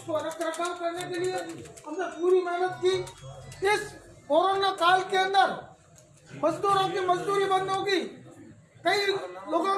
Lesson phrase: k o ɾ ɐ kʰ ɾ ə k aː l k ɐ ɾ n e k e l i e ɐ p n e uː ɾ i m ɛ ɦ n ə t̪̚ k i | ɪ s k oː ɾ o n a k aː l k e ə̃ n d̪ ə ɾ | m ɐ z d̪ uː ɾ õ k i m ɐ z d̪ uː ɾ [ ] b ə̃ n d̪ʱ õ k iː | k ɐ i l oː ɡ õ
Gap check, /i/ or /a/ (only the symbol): i